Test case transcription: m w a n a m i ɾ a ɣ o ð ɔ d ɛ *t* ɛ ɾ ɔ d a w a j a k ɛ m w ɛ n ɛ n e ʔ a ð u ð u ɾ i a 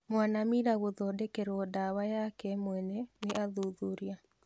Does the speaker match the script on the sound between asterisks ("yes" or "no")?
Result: no